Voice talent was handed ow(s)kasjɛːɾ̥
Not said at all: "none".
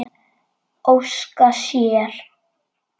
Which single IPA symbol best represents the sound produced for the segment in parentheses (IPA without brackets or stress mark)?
s